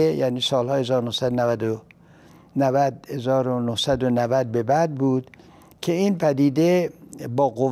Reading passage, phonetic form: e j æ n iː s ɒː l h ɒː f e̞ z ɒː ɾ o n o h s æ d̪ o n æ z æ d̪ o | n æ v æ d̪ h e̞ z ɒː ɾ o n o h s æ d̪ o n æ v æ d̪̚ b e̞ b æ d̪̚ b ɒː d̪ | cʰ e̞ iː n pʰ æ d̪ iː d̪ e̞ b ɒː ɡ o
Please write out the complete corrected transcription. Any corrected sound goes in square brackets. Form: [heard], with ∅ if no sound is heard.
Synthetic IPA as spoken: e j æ n iː s ɒː l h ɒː [h] e̞ z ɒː ɾ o n o h s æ d̪ o n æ [v] æ d̪ o | n æ v æ d̪ h e̞ z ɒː ɾ o n o h s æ d̪ o n æ v æ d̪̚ b e̞ b æ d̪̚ b [uː] d̪ | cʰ e̞ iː n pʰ æ d̪ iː d̪ e̞ b ɒː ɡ o